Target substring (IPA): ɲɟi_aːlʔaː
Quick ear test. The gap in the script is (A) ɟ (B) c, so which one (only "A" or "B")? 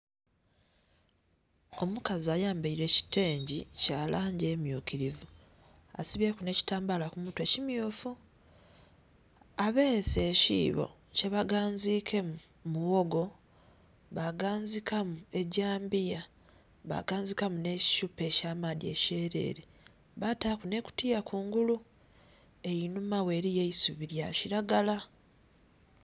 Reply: B